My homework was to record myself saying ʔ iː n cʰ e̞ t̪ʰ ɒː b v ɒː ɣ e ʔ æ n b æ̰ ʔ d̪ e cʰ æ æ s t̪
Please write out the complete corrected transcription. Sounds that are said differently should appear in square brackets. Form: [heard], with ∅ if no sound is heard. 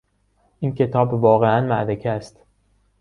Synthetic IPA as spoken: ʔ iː n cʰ e̞ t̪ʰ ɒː b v ɒː ɣ e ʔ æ n [m] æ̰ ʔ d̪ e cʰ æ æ s t̪